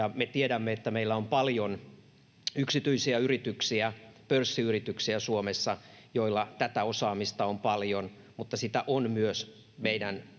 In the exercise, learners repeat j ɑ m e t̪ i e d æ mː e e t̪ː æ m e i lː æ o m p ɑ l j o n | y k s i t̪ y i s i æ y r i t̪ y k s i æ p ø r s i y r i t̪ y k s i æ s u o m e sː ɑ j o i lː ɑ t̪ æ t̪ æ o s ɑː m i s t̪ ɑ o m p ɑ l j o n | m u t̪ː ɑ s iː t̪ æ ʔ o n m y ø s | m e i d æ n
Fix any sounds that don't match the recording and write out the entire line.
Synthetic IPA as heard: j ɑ m e t̪ i e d æ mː e e t̪ː æ m e i lː æ o m p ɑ l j o n | y k s i t̪ y i s i æ y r i t̪ y k s i æ p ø r sː i y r i t̪ y k s i æ s u o m e sː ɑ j o i lː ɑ t̪ æ t̪ æ o s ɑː m i s t̪ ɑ o m p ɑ l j o n | m u t̪ː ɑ s i t̪ æ ʔ o n m y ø s | m e i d æ n